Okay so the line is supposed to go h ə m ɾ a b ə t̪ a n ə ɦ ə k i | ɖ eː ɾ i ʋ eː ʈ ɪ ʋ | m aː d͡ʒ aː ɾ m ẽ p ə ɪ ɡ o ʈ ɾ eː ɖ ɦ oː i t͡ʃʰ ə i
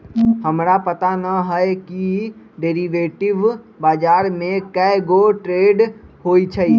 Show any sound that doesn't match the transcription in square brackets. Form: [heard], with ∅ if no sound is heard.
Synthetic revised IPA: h ə m ɾ a [p] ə t̪ a n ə ɦ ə k i | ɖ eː ɾ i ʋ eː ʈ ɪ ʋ | [b] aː d͡ʒ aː ɾ m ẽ [k] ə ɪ ɡ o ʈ ɾ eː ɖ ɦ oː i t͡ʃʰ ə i